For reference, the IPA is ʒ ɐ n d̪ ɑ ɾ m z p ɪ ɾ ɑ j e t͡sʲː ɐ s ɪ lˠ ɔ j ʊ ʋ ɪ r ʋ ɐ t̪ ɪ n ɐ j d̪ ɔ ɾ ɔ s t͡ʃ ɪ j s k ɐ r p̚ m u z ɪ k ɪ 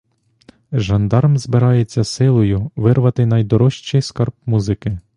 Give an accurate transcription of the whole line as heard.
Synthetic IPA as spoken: ʒ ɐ n d̪ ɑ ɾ m z b ɪ ɾ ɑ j e t͡sʲː ɐ s ɪ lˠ ɔ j ʊ ʋ ɪ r ʋ ɐ t̪ ɪ n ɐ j d̪ ɔ ɾ ɔ ʃ t͡ʃ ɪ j s k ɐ r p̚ m u z ɪ k ɪ